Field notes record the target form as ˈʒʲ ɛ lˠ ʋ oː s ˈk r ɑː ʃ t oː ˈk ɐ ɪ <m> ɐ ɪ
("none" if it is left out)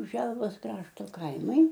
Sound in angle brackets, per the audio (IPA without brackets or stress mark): m